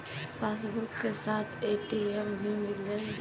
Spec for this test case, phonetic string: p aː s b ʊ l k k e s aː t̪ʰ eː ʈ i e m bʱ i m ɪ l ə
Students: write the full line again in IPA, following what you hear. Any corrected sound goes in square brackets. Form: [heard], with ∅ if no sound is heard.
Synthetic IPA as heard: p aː s b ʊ [ɾ] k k e s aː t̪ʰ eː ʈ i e m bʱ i m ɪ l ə